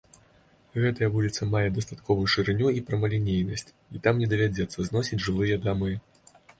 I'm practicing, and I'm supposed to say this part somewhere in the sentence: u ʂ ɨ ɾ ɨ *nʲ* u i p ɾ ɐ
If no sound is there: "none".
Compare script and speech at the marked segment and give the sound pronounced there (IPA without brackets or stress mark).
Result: nʲ